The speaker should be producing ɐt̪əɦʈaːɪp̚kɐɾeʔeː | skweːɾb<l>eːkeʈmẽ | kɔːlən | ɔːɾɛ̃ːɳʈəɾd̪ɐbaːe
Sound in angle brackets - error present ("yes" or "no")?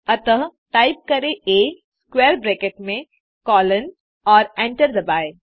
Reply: yes